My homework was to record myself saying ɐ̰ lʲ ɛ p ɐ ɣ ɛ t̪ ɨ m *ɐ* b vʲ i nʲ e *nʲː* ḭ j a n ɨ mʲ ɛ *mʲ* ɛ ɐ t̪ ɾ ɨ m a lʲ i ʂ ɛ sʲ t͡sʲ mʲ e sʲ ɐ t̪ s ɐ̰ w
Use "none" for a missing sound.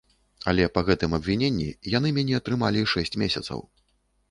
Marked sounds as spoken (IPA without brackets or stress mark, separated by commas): ɐ, nʲː, nʲ